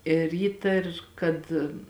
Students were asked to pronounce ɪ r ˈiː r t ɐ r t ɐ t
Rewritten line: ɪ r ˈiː t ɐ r k ɐ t